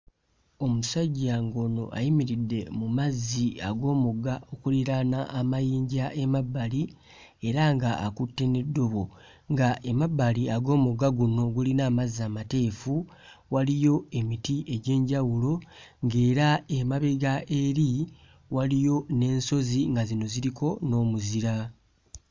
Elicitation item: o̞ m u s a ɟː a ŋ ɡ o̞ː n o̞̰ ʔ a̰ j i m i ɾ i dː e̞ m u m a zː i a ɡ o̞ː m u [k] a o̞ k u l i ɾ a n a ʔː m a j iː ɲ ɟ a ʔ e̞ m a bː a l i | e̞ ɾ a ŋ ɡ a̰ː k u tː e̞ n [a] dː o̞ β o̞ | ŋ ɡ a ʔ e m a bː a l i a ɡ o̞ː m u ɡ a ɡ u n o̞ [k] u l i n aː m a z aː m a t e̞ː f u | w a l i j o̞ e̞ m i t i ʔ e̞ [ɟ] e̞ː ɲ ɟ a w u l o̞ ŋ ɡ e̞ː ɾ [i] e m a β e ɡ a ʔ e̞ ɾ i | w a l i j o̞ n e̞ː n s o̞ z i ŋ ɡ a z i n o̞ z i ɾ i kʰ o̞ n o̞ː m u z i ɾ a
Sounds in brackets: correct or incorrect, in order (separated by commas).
incorrect, incorrect, incorrect, correct, incorrect